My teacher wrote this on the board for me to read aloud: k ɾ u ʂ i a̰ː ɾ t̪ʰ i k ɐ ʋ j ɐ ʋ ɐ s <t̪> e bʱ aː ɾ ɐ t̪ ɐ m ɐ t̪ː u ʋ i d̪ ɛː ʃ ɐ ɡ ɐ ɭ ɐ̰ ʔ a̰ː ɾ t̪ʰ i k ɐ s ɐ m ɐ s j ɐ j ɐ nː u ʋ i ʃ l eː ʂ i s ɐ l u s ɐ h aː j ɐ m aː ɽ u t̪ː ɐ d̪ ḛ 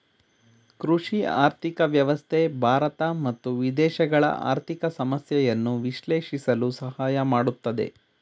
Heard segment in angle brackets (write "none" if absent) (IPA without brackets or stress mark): t̪ʰ